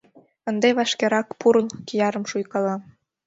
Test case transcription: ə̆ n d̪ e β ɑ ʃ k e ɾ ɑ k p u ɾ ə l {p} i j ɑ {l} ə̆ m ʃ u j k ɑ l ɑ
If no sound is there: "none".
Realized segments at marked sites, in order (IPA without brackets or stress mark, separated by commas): k, ɾ